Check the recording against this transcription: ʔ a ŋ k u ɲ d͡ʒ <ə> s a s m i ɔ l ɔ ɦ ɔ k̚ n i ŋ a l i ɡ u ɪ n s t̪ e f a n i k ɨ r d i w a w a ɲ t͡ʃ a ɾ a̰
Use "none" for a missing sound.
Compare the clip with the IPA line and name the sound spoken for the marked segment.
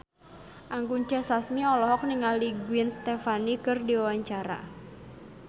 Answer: a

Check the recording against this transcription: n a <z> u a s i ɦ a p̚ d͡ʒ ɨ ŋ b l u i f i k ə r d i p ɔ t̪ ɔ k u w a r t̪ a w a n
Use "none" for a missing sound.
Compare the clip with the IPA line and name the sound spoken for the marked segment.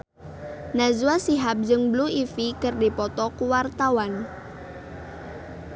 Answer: z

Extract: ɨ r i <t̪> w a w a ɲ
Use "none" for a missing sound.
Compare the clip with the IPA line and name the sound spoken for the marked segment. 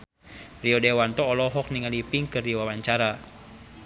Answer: none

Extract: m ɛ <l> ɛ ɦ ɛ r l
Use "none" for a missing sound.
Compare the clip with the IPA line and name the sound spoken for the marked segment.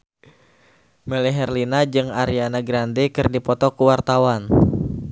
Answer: l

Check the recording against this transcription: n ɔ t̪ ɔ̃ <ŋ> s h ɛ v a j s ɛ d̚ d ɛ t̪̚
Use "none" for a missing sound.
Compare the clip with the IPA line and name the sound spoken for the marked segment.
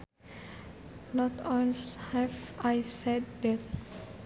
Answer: n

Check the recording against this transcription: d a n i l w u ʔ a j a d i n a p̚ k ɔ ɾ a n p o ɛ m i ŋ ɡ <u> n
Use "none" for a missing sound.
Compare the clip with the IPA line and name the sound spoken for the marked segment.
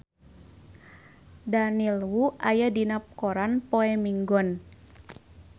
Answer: ɔ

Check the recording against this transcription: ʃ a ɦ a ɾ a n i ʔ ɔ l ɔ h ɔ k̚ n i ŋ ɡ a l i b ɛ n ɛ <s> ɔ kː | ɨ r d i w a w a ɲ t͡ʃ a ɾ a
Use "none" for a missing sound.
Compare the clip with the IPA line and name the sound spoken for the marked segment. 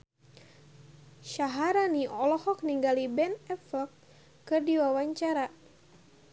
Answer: f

